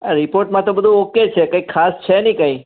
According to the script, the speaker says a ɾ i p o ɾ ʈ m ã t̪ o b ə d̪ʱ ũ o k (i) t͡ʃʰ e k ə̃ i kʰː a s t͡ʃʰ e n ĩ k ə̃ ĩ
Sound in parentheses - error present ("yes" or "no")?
yes